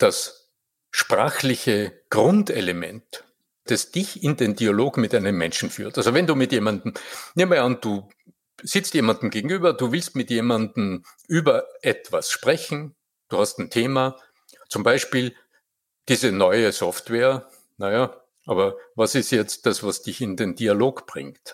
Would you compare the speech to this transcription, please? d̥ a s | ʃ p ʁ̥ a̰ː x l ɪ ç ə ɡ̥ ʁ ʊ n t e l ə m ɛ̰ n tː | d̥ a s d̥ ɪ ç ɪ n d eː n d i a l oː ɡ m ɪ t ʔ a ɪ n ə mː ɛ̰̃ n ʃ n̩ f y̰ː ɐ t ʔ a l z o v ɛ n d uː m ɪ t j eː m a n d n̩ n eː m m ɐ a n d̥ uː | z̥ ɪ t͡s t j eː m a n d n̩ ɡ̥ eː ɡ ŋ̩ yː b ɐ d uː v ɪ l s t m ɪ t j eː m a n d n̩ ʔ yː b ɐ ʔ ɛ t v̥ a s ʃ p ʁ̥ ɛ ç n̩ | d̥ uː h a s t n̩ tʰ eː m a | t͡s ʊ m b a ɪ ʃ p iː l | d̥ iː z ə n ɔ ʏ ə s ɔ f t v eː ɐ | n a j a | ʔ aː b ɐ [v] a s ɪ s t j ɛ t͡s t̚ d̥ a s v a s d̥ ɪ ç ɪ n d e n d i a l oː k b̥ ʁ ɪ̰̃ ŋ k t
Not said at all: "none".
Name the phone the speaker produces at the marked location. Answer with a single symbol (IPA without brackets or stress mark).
v